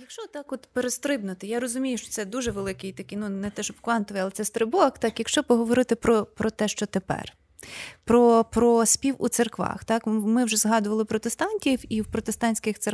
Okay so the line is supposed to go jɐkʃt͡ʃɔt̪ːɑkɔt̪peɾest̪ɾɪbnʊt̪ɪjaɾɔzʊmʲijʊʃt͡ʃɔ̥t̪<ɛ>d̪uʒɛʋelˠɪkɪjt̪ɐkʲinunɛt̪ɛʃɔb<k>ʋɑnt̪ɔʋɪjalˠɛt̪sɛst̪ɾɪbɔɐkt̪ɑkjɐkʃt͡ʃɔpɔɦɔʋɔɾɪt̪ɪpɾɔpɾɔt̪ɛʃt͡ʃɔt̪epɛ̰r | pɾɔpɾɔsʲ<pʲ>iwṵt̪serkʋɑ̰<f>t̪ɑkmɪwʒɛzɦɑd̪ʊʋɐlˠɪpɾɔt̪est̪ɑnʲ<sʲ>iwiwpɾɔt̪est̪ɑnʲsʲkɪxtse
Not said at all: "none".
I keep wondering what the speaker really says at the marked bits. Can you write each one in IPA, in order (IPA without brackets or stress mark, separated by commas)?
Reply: ɛ, k, pʲ, x, tʲ